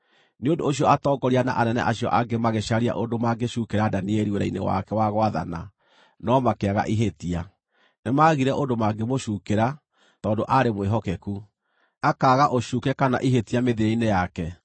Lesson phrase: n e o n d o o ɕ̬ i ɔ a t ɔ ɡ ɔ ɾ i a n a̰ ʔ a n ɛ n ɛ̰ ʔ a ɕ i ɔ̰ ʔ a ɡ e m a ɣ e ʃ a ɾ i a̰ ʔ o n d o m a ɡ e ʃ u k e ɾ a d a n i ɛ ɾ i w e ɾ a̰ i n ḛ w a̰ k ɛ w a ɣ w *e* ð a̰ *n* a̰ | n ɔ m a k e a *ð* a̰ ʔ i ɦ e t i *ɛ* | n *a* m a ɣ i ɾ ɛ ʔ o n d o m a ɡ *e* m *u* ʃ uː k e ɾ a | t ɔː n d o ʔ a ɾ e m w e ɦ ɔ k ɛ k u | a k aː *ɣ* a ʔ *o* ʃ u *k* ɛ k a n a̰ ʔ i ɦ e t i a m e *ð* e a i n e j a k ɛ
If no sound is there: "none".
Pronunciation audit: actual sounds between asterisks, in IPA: a, n, ɣ, a, e, e, o, ɣ, o, k, ð

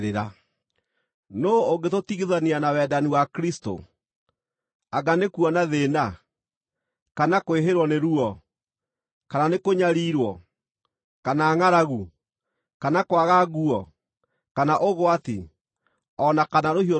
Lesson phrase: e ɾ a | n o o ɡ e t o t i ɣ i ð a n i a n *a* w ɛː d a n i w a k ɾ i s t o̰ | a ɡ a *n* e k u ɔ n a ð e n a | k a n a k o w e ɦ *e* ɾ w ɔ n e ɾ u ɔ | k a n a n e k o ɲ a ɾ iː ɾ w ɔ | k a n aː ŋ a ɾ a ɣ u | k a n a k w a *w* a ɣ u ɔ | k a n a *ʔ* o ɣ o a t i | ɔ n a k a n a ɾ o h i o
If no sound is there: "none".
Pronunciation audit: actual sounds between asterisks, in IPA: a, n, e, ɣ, ʔ

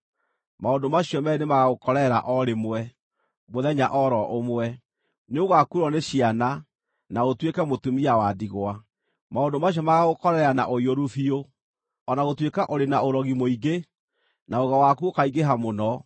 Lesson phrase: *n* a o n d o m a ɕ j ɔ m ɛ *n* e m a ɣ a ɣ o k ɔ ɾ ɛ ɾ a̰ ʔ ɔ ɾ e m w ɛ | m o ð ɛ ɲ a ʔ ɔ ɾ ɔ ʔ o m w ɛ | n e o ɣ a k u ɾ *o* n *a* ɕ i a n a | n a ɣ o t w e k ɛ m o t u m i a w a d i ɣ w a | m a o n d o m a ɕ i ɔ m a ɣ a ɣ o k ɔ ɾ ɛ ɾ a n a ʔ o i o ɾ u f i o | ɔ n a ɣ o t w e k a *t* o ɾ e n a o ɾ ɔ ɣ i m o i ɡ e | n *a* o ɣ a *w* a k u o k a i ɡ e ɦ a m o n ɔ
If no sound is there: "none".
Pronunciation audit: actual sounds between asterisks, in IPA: m, n, ɔ, e, ʔ, a, w

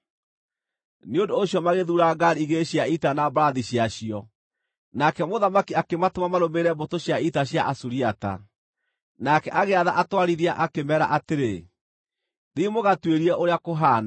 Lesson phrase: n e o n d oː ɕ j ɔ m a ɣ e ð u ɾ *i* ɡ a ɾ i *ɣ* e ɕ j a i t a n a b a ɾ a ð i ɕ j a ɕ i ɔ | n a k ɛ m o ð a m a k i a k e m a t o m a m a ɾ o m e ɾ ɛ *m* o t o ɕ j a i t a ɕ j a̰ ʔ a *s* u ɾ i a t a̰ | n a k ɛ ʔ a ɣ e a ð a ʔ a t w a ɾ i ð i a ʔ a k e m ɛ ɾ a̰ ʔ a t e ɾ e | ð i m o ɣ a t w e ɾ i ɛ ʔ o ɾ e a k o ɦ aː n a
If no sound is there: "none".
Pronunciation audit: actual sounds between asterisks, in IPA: a, ɣ, b, s

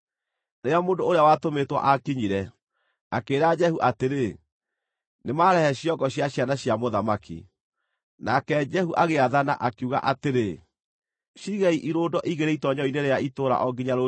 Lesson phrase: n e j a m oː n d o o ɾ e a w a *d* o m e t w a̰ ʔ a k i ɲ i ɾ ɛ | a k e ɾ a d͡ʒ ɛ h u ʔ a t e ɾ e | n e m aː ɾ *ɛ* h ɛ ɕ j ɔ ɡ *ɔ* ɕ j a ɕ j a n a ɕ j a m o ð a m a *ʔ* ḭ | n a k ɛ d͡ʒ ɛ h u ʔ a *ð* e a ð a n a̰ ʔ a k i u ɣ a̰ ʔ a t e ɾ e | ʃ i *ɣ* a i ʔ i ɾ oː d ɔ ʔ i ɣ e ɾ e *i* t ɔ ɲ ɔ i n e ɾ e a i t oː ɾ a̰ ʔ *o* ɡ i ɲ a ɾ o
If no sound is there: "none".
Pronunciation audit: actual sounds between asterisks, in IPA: t, ɛ, ɔ, k, ɣ, ɣ, i, ɔ

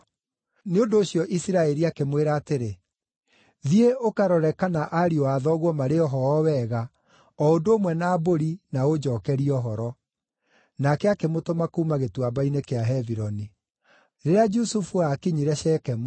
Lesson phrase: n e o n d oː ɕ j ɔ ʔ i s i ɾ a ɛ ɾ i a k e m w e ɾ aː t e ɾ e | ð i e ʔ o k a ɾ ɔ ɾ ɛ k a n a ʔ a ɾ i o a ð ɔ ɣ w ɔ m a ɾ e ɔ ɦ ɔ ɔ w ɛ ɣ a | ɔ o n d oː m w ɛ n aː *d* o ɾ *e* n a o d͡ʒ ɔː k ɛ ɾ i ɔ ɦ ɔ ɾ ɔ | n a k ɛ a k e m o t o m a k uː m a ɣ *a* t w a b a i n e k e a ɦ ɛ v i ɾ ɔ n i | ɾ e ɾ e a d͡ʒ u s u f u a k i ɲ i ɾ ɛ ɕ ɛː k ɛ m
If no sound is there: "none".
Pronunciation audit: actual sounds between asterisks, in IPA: b, i, e

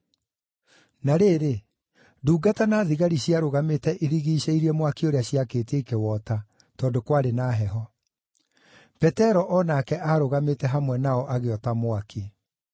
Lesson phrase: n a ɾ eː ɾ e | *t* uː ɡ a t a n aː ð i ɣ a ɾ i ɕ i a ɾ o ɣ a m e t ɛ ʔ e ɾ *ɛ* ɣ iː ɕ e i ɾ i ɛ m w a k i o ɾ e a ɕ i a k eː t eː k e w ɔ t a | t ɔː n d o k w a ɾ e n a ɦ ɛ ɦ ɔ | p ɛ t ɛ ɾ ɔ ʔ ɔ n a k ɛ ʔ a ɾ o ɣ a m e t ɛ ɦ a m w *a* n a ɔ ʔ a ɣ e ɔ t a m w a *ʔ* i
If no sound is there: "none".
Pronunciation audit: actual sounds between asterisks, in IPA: d, i, ɛ, k

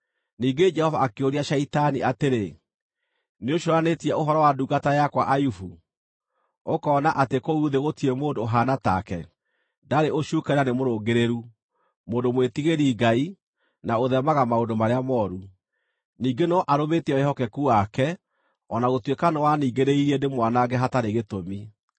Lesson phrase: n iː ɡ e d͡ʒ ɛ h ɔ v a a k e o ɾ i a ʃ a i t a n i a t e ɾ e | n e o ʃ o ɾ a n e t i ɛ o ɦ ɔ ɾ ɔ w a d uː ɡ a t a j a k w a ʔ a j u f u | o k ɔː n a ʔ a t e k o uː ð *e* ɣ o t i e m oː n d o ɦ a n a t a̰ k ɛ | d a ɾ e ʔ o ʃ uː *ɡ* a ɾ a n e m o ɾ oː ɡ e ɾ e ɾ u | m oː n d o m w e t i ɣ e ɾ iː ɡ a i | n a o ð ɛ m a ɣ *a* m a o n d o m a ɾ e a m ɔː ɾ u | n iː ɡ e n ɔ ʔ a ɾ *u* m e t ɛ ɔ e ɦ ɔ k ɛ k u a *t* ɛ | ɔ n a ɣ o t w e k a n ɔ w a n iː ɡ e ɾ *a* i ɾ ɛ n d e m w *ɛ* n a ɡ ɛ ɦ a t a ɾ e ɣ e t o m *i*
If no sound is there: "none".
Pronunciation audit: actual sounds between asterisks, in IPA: e, k, a, o, k, e, a, i

